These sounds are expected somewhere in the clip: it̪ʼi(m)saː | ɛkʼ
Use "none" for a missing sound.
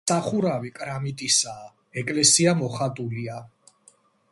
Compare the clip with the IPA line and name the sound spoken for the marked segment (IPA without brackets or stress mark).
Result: none